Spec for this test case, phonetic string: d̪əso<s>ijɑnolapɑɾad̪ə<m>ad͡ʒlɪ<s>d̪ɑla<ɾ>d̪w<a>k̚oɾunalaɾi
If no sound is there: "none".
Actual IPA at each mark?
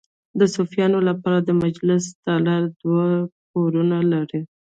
f, m, s, ɾ, a

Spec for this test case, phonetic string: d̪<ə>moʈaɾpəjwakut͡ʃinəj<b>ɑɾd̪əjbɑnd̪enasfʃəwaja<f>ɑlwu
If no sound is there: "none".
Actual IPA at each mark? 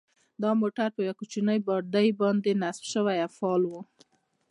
ɑ, b, f

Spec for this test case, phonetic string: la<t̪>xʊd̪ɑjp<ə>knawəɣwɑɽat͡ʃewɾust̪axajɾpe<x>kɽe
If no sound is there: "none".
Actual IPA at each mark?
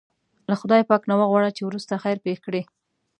none, ɑ, x

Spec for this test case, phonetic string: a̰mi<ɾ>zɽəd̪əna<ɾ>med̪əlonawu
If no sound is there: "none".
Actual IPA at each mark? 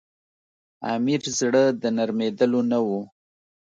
ɾ, ɾ

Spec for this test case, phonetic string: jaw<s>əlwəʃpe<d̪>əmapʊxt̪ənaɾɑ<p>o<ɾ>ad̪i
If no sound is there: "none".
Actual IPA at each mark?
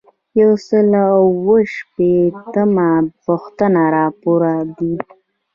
s, t̪, p, ɾ

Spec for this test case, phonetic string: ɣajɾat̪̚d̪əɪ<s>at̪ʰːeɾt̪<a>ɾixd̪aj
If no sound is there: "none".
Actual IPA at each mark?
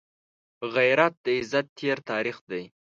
z, ɑ

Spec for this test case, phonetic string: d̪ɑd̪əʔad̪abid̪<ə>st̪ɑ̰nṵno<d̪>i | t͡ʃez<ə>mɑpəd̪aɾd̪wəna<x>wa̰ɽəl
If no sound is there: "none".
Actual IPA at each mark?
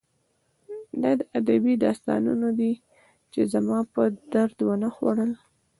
ɑ, d̪, a, x

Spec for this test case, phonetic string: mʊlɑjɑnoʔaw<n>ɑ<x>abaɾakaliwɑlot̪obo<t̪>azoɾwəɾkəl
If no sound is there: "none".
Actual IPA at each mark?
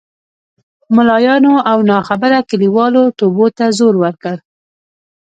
n, x, t̪

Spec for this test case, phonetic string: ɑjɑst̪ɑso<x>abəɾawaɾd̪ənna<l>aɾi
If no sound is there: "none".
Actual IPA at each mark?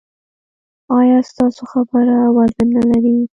x, l

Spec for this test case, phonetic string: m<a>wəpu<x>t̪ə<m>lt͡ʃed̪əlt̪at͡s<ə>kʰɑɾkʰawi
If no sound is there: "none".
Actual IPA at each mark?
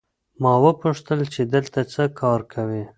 ɑ, ʂ, none, ə

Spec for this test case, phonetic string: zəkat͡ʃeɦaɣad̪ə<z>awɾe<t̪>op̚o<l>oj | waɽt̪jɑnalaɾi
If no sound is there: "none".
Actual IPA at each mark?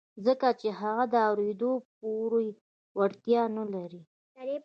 none, d̪, ɾ

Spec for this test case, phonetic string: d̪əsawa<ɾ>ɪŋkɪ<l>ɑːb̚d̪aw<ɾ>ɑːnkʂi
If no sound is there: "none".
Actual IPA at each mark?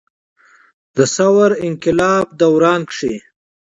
ɾ, l, ɾ

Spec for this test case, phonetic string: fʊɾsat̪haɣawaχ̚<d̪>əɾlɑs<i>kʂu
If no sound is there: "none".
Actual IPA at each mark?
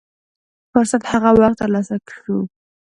t̪, a

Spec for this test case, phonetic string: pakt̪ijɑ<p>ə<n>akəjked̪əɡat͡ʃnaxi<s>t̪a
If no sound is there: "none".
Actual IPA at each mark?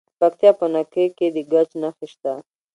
p, n, ʃ

